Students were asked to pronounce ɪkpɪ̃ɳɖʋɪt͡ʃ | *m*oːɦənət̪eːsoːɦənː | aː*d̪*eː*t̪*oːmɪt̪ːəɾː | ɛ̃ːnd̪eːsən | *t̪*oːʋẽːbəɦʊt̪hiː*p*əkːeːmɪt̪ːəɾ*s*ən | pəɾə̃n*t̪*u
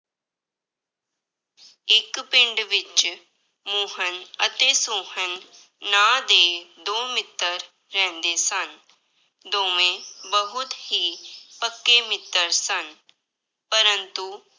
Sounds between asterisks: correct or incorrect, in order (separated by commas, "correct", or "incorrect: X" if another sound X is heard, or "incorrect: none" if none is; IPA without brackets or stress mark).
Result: correct, correct, incorrect: d̪, incorrect: d̪, correct, correct, correct